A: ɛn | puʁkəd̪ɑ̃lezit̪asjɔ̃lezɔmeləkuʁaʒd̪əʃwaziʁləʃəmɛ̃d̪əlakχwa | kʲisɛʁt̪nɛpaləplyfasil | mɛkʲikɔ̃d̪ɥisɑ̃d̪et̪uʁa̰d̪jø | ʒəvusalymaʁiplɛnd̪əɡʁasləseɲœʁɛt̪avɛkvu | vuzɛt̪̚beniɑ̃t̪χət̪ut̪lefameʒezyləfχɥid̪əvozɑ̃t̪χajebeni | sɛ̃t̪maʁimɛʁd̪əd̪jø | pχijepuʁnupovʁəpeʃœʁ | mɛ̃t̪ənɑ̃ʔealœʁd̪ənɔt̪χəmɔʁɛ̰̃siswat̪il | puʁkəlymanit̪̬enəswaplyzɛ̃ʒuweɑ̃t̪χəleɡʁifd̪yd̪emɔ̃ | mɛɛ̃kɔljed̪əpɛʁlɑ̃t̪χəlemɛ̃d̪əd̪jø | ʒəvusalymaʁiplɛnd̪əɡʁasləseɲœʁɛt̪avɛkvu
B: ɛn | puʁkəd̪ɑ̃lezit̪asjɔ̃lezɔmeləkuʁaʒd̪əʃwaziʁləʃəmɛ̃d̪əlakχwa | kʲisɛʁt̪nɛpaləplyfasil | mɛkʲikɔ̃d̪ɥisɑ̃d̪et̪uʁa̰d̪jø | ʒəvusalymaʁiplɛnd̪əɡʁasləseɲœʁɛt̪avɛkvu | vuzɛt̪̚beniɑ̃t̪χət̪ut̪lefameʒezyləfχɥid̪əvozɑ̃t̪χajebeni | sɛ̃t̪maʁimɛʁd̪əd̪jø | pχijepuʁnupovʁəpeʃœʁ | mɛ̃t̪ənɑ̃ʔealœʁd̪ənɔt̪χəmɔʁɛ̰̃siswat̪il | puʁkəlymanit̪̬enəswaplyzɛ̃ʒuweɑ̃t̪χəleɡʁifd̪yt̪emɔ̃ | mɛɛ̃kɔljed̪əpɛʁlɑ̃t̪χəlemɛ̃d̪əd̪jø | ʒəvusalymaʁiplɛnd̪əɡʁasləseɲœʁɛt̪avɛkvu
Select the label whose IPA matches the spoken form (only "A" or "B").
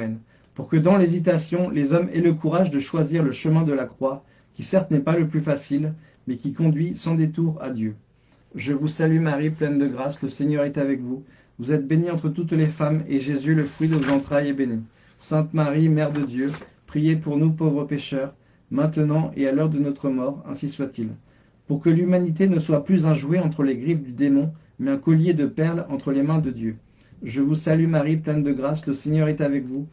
A